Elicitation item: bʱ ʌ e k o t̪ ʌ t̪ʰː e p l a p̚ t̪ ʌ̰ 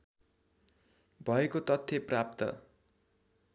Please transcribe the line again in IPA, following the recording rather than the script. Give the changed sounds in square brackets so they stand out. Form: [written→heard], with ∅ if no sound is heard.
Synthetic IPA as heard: bʱ ʌ e k o t̪ ʌ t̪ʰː e p [l→r] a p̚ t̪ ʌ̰